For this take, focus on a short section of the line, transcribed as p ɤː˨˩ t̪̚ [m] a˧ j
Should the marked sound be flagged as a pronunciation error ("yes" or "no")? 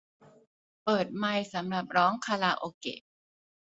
no